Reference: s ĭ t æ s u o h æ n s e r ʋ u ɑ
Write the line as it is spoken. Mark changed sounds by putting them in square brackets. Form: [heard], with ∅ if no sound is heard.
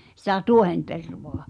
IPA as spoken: s ĭ t æ [t] u o h [e] n [t] e r ʋ [o] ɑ

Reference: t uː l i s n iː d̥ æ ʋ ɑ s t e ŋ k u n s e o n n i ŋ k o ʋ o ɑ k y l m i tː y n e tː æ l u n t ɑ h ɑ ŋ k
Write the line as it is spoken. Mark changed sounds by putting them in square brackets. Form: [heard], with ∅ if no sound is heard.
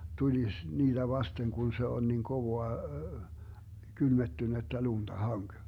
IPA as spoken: t [u] l i s n iː d̥ æ ʋ ɑ s t e ŋ k u n s e o n n i ŋ k o ʋ o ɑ k y l m [e] tː y n e tː æ l u n t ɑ h ɑ ŋ k

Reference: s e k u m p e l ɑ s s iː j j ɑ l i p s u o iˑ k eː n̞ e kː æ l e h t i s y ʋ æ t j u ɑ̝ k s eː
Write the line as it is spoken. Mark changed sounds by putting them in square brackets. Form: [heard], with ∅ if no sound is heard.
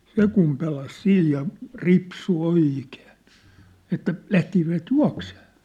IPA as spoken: s e k u m p e l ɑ s s iː j j ɑ [r] i p s u o iˑ k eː n̞ e [tː] æ l [æ] h t i s [i] ʋ æ t j u ɑ̝ k s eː

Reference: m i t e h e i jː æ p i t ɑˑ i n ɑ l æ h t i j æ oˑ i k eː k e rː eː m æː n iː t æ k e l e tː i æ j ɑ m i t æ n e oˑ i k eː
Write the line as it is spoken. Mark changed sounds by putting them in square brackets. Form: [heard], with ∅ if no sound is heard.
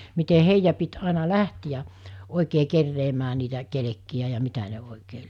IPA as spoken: m i t e h e i jː æ p i t ɑˑ i n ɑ l æ h t i j æ oˑ i k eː k e rː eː m æː n iː t æ k e l e [kː] i æ j ɑ m i t æ n e oˑ i k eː

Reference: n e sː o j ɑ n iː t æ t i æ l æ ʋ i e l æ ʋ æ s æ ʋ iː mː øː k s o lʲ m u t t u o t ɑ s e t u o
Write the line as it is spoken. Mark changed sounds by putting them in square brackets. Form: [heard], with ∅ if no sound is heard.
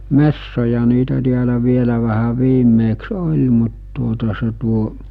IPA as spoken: [m] e sː o j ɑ n iː t æ t i æ l æ ʋ i e l æ ʋ æ [h] æ ʋ iː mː [eː] k s o lʲ m u t t u o t ɑ s e t u o

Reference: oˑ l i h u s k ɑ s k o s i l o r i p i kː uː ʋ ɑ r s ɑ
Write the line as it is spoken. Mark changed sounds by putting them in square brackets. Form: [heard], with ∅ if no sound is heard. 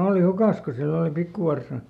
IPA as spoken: oˑ l i h u [∅] k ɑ s k o s i [lː] o [l] i p i kː [u] ʋ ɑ r s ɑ

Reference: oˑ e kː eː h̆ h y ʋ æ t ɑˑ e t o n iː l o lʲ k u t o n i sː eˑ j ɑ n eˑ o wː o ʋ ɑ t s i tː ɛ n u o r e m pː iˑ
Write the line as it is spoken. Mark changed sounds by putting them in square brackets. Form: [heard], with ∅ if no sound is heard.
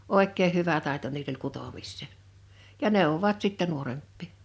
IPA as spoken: oˑ e kː eː h̆ h y ʋ æ t ɑˑ e t o n iː l o lʲ k u t o [m] i sː eˑ j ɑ n eˑ o wː o ʋ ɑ t s i tː ɛ n u o r e m pː iˑ

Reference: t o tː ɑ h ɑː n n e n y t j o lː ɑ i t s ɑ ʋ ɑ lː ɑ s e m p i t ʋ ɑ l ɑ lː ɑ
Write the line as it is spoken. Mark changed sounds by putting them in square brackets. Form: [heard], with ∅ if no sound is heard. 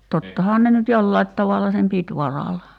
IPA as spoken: t o tː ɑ h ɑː n n e n y t j o lː ɑ i t [t] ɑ ʋ ɑ lː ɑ s e m p i t ʋ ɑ [r] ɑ [l] ɑ

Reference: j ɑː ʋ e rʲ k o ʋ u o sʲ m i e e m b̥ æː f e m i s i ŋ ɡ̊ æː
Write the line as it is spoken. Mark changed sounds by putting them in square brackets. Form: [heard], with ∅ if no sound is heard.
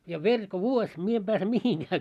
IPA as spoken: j [ɑ] ʋ e rʲ k o ʋ u o sʲ m i e e m b̥ æː [s] e m i [h] i ŋ ɡ̊ æː

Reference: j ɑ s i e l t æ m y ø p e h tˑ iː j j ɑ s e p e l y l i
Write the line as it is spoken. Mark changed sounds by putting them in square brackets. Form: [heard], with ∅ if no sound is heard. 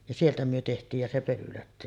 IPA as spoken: j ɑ s i e l t æ m y ø [t] e h tˑ iː j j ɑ s e p [ø] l y l [æ]

